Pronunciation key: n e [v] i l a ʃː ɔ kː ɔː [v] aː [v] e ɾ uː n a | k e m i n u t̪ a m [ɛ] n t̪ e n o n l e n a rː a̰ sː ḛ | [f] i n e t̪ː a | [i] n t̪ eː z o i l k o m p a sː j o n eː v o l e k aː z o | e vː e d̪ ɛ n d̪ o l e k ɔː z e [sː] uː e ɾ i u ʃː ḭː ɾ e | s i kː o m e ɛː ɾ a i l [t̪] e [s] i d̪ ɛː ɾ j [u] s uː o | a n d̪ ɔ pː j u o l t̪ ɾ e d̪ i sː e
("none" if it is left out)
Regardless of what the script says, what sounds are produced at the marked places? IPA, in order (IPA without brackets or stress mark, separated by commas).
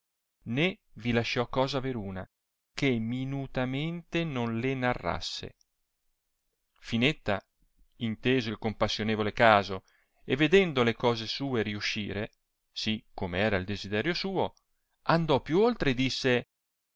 v, z, v, e, f, i, s, d̪, z, o